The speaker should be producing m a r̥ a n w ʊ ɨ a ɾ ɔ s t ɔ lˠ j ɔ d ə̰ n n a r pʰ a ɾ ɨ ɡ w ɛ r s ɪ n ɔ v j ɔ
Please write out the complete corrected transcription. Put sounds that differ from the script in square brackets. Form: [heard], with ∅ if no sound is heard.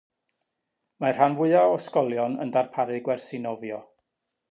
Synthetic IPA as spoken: m a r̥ a n [v] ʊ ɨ a [∅] ɔ s [k] ɔ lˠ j ɔ [n] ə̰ n [d] a r pʰ a ɾ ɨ ɡ w ɛ r s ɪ n ɔ v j ɔ